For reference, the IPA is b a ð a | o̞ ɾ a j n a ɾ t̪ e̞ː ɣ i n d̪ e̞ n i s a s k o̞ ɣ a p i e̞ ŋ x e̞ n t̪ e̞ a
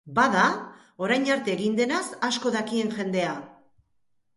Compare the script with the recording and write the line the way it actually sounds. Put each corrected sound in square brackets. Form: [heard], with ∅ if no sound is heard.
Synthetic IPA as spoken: b a ð a | o̞ ɾ a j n a ɾ t̪ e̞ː ɣ i n d̪ e̞ n [a] s a s k o̞ [ð] a [k] i e̞ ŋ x e̞ n [d̪] e̞ a